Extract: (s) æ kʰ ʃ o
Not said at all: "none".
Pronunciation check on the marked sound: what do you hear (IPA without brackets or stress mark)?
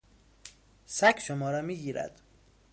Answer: s